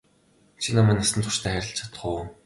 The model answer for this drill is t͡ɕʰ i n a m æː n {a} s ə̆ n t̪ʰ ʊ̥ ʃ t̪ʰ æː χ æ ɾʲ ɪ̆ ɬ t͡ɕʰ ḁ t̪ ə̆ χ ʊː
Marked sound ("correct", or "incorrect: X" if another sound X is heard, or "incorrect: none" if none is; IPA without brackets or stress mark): correct